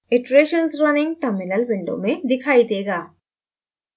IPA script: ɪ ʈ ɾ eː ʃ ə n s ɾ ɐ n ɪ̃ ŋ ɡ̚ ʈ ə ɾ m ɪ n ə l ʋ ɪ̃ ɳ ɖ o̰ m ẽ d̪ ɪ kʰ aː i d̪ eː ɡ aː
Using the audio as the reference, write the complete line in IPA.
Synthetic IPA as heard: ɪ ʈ ɾ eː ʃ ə n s ɾ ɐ n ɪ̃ ŋ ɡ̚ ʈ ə ɾ m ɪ n ə l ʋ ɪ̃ ɳ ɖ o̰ m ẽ d̪ ɪ kʰ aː i d̪ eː ɡ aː